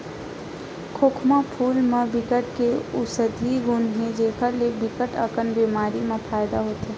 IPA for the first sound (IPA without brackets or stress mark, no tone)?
kʰ